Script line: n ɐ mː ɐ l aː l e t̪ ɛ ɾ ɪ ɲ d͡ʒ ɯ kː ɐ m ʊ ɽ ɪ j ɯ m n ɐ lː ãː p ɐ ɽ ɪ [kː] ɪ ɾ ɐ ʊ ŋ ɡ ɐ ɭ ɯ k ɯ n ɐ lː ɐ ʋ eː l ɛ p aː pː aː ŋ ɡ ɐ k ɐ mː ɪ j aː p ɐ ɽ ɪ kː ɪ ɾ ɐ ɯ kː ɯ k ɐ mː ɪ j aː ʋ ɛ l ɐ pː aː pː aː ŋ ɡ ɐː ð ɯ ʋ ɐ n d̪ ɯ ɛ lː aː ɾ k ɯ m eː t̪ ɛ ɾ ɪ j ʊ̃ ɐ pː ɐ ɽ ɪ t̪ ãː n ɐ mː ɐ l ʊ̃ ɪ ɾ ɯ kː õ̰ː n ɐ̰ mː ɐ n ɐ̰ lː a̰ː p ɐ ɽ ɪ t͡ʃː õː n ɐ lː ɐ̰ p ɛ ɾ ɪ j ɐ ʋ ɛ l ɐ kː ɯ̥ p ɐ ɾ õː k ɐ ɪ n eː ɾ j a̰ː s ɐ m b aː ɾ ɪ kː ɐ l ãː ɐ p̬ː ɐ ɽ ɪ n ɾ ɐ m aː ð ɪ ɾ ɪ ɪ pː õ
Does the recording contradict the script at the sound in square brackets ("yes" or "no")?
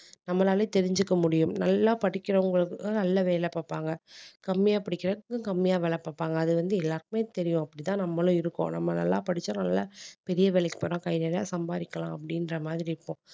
no